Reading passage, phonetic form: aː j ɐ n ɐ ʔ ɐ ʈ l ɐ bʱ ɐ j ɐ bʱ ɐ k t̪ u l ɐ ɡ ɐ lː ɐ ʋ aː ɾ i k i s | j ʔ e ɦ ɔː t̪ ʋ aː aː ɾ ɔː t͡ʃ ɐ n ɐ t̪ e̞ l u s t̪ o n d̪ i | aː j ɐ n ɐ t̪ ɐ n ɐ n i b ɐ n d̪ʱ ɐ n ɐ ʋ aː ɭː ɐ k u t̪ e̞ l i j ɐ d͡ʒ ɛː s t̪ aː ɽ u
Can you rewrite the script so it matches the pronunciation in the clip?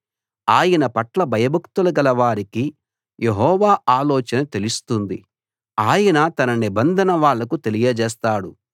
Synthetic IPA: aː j ɐ n ɐ p ɐ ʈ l ɐ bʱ ɐ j ɐ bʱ ɐ k t̪ u l ɐ ɡ ɐ l ɐ ʋ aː ɾ i k i | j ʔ e ɦ ɔː ʋ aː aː l ɔː t͡ʃ ɐ n ɐ t̪ e̞ l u s t̪ u n d̪ i | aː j ɐ n ɐ t̪ ɐ n ɐ n i b ɐ n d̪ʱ ɐ n ɐ ʋ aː ɭː ɐ k u t̪ e̞ l i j ɐ d͡ʒ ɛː s t̪ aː ɽ u